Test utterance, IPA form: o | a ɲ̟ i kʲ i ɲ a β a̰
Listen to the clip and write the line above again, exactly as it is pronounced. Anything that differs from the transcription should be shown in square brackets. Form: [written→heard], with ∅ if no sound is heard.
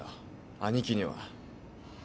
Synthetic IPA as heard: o | a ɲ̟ i kʲ i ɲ [a→i] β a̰

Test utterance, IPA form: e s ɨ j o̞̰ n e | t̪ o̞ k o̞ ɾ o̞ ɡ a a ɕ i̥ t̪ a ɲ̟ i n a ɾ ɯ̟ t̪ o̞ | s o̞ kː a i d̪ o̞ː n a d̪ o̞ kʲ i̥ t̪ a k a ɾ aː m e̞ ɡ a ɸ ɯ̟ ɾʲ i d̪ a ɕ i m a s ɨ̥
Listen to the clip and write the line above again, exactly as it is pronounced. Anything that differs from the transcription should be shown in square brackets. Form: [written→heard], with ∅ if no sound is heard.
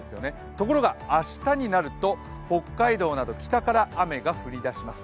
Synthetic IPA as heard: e s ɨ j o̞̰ n e | t̪ o̞ k o̞ ɾ o̞ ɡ a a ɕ i̥ t̪ a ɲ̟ i n a ɾ ɯ̟ t̪ o̞ | [s→h] o̞ kː a i d̪ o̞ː n a d̪ o̞ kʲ i̥ t̪ a k a ɾ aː m e̞ ɡ a ɸ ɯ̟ ɾʲ i d̪ a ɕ i m a s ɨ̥

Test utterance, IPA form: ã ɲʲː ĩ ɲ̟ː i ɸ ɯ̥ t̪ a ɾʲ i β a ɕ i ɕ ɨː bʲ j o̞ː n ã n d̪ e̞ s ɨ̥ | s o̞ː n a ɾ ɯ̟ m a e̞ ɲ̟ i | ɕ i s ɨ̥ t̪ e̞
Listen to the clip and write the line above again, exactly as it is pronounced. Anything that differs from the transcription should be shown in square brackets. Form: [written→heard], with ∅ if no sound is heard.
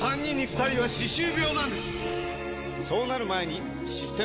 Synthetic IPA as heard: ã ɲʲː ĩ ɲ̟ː i ɸ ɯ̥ t̪ a ɾʲ i β a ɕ i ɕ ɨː bʲ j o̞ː n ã n d̪ e̞ s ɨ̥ | s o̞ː n a ɾ ɯ̟ m a e̞ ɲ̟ i | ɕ i s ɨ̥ t̪ e̞

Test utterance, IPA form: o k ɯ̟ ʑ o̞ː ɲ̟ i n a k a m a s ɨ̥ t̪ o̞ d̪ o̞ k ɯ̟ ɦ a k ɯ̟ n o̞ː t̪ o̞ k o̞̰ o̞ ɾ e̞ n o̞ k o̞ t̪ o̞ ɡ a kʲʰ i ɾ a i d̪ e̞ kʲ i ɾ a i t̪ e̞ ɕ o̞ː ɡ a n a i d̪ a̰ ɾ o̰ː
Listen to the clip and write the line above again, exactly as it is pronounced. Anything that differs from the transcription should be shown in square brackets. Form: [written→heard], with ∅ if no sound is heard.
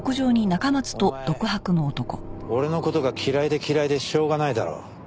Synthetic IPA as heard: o k ɯ̟ ʑ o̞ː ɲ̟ i n a k a m a [s→t͡s] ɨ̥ t̪ o̞ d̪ o̞ k ɯ̟ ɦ a k ɯ̟ n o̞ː t̪ o̞ k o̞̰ o̞ ɾ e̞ n o̞ k o̞ t̪ o̞ ɡ a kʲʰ i ɾ a i d̪ e̞ kʲ i ɾ a i [t̪→d̪] e̞ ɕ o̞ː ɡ a n a i d̪ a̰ ɾ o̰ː

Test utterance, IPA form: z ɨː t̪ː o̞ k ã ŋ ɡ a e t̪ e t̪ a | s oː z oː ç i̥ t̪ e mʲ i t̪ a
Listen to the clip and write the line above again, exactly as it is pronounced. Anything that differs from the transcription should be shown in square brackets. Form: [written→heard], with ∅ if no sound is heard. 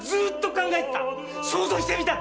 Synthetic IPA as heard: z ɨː t̪ː o̞ k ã ŋ ɡ a e t̪ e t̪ a | s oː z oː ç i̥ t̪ e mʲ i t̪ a

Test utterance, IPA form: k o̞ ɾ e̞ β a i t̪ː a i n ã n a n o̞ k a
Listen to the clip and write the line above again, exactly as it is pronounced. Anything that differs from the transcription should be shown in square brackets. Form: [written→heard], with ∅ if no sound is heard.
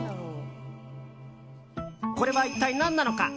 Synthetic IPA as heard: k o̞ ɾ e̞ β a i t̪ː a i n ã [n→nː] a n o̞ k a

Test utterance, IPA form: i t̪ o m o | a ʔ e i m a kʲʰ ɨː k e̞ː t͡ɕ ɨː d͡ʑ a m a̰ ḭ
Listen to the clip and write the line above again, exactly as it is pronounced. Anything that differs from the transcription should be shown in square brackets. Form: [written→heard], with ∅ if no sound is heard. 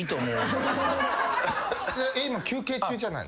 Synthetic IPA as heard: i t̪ o m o | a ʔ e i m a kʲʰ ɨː k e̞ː t͡ɕ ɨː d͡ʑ a [m→n] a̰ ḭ

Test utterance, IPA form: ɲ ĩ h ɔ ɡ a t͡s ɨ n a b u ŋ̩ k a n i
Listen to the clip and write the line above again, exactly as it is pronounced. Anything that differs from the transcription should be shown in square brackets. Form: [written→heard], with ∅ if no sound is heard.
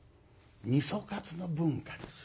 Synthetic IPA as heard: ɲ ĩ [h→s] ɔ [ɡ→k] a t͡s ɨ n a b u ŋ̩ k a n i

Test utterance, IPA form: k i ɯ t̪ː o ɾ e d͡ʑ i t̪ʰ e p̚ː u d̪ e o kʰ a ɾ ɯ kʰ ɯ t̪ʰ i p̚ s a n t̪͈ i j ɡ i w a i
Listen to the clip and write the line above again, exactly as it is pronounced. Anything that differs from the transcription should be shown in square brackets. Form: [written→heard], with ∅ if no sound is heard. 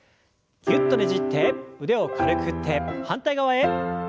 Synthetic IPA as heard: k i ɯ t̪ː o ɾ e d͡ʑ i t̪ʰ e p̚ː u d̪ e o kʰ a ɾ ɯ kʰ ɯ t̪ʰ [i→e] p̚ [s→h] a n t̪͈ [i→a] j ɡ [i→a] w a [i→e]

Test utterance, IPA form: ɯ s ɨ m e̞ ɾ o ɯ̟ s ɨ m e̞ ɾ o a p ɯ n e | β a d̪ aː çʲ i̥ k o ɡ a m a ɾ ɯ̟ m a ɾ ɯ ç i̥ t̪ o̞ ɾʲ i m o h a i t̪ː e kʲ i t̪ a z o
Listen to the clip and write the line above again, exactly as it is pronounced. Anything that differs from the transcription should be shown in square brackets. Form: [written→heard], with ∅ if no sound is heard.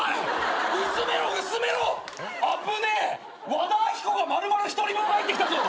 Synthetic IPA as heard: ɯ s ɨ m e̞ ɾ o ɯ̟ s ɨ m e̞ ɾ o a p ɯ n e | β a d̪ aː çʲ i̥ k o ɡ a m a ɾ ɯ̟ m a ɾ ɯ ç i̥ t̪ o̞ ɾʲ i m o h a i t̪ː e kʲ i t̪ a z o

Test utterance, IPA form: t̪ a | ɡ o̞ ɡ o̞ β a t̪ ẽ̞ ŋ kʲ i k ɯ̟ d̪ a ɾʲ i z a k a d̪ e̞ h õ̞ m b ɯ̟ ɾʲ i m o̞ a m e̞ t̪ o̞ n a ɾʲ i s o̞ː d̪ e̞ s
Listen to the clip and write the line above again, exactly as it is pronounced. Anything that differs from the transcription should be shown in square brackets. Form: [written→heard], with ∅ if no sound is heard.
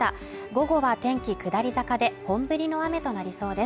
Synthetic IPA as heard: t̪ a | ɡ o̞ ɡ o̞ β a t̪ ẽ̞ ŋ kʲ i k ɯ̟ d̪ a ɾʲ i z a k a d̪ e̞ h õ̞ m b ɯ̟ ɾʲ i [m→n] o̞ a m e̞ t̪ o̞ n a ɾʲ i s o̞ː d̪ e̞ s

